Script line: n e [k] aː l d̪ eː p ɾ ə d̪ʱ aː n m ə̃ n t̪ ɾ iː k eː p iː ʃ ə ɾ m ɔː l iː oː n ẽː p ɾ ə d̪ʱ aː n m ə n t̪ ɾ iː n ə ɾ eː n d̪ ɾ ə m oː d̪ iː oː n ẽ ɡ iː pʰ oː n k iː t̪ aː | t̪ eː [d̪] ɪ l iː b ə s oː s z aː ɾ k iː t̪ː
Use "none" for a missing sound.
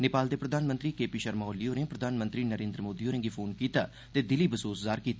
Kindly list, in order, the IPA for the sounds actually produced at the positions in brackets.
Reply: p, d̪

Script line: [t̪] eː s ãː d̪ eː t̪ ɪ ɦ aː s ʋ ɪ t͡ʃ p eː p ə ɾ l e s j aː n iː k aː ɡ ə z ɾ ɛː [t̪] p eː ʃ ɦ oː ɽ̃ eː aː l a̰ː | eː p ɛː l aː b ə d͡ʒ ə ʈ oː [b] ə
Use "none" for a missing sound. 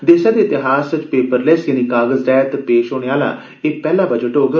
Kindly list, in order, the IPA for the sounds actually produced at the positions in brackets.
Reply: d̪, t̪, ɡ

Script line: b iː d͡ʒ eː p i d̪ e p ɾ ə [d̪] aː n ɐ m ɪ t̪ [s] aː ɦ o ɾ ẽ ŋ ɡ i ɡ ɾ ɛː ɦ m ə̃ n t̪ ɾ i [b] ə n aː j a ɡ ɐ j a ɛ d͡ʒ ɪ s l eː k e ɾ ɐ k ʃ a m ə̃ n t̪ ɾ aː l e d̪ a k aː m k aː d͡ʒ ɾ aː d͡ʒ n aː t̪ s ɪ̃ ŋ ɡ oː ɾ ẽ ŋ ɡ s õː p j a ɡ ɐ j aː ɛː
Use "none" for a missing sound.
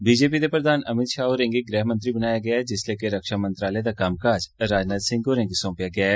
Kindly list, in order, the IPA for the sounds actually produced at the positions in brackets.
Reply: d̪, ʃ, b

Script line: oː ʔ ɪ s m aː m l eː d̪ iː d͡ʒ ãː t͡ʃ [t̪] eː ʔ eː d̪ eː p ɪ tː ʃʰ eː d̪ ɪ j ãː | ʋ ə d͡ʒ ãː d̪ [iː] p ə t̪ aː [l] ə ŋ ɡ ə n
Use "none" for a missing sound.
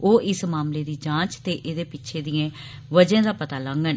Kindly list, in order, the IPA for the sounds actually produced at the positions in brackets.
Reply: t̪, aː, l

